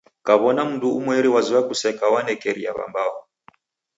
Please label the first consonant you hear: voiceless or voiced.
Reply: voiceless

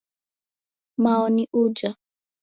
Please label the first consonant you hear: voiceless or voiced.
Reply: voiced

